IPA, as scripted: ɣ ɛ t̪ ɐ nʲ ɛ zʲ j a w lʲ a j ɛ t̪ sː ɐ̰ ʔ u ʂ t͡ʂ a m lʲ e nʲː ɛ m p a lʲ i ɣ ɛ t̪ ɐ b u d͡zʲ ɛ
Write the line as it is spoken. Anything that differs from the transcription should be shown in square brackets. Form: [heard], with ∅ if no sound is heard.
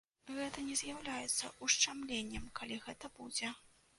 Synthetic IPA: ɣ ɛ t̪ ɐ nʲ ɛ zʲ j a w lʲ a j ɛ t̪ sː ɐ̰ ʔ u ʂ t͡ʂ a m lʲ e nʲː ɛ m [k] a lʲ i ɣ ɛ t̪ ɐ b u d͡zʲ ɛ